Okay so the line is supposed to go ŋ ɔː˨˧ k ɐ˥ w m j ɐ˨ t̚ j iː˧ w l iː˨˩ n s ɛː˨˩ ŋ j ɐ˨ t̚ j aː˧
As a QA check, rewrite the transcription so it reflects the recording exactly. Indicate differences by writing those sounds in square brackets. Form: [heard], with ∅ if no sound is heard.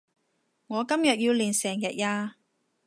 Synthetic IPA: ŋ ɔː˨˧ k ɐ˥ [∅] m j ɐ˨ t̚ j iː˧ w l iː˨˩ n s ɛː˨˩ ŋ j ɐ˨ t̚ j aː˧

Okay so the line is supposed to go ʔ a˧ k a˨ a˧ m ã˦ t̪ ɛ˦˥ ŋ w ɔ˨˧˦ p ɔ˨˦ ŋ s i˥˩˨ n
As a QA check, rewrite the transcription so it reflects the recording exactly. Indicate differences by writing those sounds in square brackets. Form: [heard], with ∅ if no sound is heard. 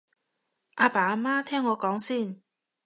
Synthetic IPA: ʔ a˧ [p] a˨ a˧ m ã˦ [t̪ʰ] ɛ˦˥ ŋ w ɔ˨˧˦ [k] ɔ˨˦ ŋ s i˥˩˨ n

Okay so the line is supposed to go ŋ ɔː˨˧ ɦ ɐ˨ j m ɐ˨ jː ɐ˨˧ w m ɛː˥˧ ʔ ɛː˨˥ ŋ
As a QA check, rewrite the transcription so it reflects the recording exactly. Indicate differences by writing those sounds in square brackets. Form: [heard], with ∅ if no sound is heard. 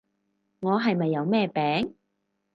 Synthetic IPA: ŋ ɔː˨˧ ɦ ɐ˨ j m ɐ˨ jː ɐ˨˧ w m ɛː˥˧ [p] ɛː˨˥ ŋ

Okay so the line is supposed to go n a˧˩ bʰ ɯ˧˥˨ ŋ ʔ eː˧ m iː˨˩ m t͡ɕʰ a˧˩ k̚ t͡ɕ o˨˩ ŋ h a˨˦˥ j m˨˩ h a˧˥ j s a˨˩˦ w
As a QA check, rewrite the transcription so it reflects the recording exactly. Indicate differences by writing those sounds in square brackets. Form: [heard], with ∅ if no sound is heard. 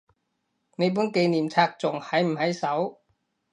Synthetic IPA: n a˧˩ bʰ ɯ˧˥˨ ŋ [k] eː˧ [n] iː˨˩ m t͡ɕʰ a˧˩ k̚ t͡ɕ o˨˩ ŋ h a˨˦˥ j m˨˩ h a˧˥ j s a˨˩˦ w

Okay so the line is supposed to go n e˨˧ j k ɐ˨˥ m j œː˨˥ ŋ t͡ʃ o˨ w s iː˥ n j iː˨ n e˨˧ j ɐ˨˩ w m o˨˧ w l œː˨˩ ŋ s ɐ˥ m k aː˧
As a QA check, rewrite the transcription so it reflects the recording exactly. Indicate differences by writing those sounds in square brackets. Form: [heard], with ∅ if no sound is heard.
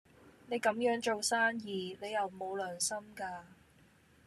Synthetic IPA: n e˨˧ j k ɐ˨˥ m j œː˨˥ ŋ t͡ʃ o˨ w s [aː˥] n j iː˨ n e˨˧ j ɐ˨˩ w m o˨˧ w l œː˨˩ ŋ s ɐ˥ m k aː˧

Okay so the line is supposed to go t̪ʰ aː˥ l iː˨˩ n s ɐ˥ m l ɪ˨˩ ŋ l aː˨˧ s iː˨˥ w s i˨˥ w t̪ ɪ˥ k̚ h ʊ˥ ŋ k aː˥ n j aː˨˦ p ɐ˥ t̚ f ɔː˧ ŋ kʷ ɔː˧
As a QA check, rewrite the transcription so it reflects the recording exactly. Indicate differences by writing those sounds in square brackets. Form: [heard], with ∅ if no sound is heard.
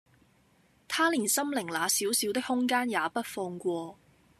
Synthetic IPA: t̪ʰ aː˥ l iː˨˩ n s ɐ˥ m l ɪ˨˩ ŋ l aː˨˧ s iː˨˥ w s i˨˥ w t̪ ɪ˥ k̚ h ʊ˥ ŋ k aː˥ n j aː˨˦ p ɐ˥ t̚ f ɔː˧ ŋ kʷ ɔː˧

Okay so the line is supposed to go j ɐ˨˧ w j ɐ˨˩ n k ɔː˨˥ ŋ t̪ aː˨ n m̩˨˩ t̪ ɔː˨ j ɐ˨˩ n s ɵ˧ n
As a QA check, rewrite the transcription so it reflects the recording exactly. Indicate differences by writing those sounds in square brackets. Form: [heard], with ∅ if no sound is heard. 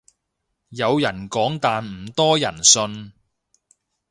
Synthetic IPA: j ɐ˨˧ w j ɐ˨˩ n k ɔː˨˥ ŋ t̪ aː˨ n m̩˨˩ t̪ [ɔː˥] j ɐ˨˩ n s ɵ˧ n

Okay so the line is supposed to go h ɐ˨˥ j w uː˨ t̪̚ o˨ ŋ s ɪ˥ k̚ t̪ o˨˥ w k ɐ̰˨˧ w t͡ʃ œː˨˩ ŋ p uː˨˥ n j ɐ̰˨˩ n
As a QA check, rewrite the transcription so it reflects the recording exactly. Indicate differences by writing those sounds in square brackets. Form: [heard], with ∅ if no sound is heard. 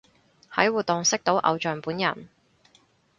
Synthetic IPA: h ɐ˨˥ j w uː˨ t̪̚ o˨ ŋ s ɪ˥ k̚ t̪ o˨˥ w [ʔ] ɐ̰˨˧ w t͡ʃ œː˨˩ ŋ p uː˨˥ n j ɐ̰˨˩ n

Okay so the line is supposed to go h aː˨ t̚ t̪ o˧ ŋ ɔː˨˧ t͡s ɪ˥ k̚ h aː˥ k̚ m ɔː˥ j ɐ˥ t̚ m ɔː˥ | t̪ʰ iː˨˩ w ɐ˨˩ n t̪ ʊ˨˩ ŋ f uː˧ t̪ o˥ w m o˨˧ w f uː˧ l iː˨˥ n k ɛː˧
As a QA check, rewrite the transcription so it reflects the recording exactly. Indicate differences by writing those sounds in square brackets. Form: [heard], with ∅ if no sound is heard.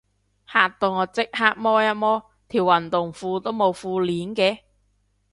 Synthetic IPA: h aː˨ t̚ t̪ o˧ ŋ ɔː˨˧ t͡s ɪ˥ k̚ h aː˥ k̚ m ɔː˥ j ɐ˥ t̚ m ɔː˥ | t̪ʰ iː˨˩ w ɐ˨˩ n t̪ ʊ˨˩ ŋ f uː˧ t̪ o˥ w m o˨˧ w f uː˧ l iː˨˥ n k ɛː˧

